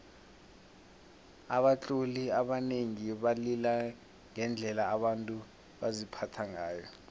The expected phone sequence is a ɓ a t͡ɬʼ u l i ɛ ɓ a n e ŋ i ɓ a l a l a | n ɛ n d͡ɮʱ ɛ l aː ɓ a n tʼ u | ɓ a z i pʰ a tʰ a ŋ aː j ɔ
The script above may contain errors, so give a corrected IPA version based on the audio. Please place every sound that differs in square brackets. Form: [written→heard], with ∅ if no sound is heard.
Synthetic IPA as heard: a ɓ a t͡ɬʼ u l i [ɛ→a] ɓ a n e ŋ i ɓ a l [a→i] l a | [n→ŋ] ɛ n d͡ɮʱ ɛ l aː ɓ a n tʼ u | ɓ a z i pʰ a tʰ a ŋ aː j ɔ